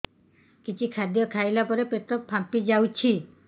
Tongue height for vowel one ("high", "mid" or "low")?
high